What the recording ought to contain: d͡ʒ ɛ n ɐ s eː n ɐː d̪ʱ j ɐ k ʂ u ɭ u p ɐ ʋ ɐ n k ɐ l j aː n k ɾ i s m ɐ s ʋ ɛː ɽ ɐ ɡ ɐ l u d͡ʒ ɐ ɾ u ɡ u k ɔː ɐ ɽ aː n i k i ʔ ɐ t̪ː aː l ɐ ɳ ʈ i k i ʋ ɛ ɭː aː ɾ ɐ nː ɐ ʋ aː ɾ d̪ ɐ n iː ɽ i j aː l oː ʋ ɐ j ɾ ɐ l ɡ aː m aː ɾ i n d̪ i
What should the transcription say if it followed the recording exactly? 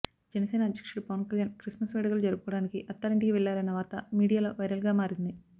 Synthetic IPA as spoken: d͡ʒ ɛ n ɐ s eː n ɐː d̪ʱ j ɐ k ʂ u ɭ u p ɐ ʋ ɐ n k ɐ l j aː n k ɾ i s m ɐ s ʋ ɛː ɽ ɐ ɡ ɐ l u d͡ʒ ɐ ɾ u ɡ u k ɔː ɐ ɽ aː n i k i ʔ ɐ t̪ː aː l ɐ ɳ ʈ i k i ʋ ɛ ɭː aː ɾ ɐ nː ɐ ʋ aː ɾ t̪ ɐ m iː ɽ i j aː l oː ʋ ɐ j ɾ ɐ l ɡ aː m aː ɾ i n d̪ i